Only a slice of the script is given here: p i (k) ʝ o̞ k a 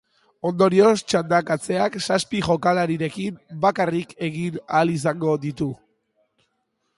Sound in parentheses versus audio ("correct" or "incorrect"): incorrect